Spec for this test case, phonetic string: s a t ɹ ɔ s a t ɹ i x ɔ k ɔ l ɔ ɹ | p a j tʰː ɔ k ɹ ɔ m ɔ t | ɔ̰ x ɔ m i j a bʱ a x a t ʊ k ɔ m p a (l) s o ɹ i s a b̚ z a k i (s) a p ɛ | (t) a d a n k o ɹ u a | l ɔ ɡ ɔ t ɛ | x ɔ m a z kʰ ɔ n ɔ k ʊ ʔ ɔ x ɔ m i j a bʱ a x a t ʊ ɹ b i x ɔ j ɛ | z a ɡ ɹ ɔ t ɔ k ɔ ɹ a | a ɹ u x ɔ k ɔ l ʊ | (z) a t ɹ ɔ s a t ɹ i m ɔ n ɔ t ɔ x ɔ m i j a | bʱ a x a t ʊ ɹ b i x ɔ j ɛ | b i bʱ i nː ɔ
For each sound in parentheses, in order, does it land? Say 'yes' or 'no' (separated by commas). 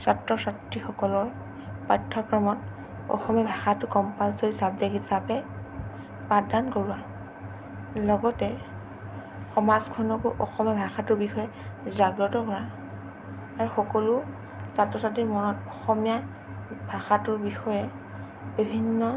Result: yes, yes, no, no